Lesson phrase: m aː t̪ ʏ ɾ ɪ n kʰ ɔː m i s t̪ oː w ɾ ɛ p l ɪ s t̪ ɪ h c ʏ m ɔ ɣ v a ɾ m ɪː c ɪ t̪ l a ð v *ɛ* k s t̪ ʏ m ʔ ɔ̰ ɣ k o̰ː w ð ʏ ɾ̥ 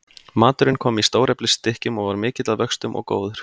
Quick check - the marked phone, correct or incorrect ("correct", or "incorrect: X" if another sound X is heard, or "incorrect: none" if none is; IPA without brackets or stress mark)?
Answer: incorrect: œ